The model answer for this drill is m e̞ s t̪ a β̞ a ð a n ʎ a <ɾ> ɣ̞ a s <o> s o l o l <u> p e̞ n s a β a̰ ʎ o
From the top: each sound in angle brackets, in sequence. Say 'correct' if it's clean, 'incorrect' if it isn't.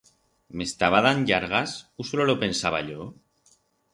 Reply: correct, incorrect: u, incorrect: o

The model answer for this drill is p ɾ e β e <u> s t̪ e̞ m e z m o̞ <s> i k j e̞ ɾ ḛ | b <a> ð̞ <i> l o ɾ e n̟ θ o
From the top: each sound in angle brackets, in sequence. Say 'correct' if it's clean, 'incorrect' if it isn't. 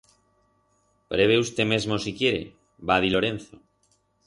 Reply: correct, correct, correct, correct

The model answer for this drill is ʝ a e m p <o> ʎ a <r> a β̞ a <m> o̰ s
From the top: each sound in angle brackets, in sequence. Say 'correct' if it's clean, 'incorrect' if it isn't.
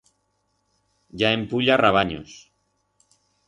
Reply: incorrect: u, correct, incorrect: ɲ

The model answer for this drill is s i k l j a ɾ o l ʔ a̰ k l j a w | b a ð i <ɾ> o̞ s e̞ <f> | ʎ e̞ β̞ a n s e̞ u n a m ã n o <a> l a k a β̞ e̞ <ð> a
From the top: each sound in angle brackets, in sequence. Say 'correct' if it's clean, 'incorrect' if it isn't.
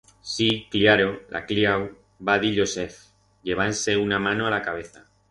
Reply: incorrect: ʎ, correct, correct, incorrect: θ

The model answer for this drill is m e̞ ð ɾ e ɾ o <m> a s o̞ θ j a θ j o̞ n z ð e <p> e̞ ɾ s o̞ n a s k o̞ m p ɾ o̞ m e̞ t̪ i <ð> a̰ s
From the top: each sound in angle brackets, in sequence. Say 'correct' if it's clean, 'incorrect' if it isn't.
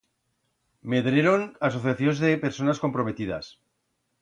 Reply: incorrect: n, correct, correct

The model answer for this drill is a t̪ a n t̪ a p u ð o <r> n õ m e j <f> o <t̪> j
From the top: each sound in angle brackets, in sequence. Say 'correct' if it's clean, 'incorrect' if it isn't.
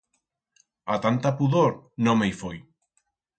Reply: incorrect: ɾ, correct, incorrect: none

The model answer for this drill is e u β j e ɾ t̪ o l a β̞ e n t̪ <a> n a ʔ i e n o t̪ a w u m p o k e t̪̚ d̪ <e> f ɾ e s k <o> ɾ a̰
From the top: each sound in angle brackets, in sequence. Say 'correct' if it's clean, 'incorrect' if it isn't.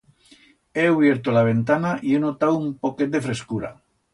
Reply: correct, correct, incorrect: u

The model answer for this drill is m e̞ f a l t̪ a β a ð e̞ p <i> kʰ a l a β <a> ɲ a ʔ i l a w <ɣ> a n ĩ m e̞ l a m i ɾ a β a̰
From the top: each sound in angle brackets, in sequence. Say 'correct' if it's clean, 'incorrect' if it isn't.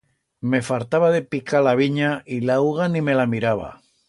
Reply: correct, incorrect: i, correct

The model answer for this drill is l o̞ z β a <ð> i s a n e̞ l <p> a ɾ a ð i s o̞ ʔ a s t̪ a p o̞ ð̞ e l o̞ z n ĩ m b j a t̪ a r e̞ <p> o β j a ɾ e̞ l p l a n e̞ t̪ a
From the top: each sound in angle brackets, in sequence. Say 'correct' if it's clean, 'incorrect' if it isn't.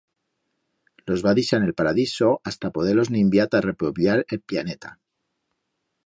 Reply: correct, correct, correct

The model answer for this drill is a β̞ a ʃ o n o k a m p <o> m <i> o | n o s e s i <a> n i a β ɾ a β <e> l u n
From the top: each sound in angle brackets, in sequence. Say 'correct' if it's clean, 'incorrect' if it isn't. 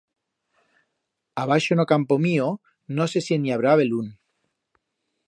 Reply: correct, correct, incorrect: e, correct

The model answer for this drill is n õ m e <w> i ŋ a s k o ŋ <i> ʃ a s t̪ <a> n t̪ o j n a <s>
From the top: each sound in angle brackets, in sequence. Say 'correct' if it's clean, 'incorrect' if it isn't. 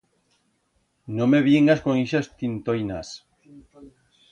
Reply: incorrect: β, correct, incorrect: i, correct

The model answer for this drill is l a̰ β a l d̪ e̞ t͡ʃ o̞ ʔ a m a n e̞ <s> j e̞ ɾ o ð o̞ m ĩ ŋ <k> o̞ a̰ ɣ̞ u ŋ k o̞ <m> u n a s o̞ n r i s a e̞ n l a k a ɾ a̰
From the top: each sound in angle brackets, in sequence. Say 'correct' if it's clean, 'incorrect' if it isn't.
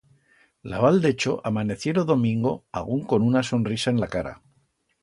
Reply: incorrect: θ, incorrect: ɡ, incorrect: n

